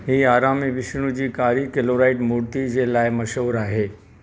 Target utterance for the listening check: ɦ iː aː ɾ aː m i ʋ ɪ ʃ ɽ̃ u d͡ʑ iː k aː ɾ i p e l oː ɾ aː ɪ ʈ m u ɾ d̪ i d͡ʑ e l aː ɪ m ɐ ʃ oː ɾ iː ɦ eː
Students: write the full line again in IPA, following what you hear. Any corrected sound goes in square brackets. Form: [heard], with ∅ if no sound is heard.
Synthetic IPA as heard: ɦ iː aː ɾ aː m i ʋ ɪ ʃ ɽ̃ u d͡ʑ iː k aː ɾ i [k] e l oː ɾ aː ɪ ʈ m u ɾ [t̪] i d͡ʑ e l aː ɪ m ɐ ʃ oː ɾ [aː] ɦ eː